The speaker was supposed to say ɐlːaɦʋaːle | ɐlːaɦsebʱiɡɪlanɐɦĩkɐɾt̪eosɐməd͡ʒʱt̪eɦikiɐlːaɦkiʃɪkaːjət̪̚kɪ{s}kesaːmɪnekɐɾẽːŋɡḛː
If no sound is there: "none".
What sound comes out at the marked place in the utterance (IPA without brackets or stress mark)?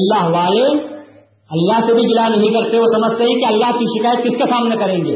s